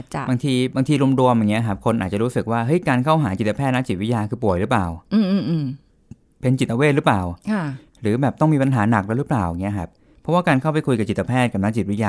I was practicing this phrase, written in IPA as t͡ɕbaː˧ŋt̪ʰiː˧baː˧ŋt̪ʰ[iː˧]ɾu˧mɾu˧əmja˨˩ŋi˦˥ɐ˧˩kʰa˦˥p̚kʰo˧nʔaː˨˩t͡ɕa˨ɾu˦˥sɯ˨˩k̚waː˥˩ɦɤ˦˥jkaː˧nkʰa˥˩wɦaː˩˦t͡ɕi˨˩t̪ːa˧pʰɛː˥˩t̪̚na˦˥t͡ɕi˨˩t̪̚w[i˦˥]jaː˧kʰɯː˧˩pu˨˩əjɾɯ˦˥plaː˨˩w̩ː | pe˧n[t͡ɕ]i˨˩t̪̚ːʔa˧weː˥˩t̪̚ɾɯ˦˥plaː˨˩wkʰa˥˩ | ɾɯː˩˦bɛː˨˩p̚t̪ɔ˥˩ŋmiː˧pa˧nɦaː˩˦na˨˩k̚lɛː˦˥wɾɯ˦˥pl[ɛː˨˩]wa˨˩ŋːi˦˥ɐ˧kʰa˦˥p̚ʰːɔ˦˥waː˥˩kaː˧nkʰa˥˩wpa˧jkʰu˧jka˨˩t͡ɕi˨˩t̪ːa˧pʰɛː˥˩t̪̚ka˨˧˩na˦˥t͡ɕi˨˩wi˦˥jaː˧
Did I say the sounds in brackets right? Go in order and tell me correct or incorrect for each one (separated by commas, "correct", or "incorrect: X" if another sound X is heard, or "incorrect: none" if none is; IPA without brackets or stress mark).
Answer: correct, correct, correct, incorrect: aː˨˩